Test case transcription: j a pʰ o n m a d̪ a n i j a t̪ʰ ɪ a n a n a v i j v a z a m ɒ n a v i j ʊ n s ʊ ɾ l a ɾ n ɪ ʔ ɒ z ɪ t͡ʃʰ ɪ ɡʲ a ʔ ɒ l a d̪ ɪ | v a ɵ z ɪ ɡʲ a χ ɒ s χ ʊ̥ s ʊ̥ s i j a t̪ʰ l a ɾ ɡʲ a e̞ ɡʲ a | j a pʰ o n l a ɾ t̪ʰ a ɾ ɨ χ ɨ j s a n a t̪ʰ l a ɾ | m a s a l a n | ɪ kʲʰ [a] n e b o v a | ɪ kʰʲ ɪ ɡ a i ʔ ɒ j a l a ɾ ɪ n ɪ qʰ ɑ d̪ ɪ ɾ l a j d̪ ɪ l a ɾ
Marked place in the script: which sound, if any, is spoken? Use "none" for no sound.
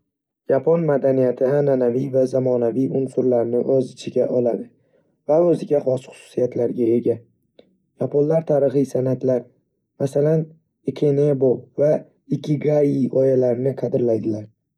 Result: e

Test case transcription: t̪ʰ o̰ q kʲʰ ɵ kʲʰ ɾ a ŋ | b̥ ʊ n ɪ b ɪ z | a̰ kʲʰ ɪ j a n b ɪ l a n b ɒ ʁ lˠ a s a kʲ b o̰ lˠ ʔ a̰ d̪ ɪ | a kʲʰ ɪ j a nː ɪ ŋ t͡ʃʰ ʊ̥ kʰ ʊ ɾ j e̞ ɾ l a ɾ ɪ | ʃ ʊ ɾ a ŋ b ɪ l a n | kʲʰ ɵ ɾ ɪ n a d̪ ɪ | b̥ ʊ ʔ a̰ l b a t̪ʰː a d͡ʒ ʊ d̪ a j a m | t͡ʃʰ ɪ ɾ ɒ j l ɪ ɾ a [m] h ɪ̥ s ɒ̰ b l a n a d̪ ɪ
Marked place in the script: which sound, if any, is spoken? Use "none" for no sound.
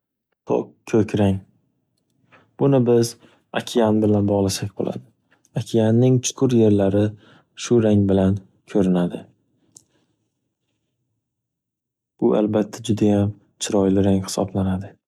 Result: ŋ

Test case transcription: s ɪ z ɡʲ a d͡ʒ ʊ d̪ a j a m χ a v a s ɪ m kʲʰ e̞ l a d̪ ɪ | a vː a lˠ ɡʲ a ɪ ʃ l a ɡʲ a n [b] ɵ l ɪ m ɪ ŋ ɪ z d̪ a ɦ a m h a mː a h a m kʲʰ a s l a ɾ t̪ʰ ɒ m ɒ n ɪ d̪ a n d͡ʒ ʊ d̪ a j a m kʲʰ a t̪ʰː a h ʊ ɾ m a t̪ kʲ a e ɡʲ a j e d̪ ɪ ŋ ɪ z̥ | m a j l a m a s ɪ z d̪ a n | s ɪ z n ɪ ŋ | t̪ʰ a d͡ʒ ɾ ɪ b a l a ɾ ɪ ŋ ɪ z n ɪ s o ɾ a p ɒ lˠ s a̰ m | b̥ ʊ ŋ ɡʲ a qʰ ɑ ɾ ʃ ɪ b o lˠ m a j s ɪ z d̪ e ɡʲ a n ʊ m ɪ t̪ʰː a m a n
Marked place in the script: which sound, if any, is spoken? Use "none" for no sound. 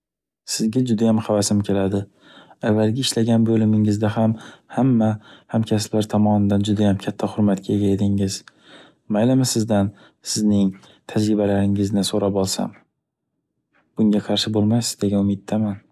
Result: b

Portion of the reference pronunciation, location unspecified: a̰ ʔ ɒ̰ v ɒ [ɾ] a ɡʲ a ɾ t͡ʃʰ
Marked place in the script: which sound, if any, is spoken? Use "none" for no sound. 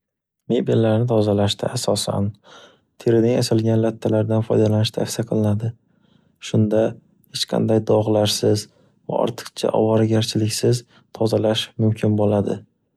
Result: ɾ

